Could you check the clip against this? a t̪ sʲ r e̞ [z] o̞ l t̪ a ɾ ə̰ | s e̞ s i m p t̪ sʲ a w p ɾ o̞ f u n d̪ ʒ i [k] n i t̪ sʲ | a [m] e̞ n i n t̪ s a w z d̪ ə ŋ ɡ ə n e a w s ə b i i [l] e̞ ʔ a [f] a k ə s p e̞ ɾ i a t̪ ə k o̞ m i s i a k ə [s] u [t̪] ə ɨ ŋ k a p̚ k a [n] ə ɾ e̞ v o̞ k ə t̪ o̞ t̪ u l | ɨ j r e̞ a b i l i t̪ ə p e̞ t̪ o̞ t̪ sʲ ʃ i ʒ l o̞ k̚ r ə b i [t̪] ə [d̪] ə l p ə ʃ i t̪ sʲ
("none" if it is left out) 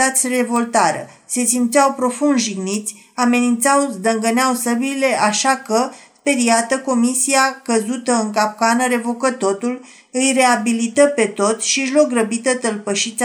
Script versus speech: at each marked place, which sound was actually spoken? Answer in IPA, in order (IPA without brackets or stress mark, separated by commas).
v, ɡ, m, l, ʃ, z, t̪, n, t̪, t̪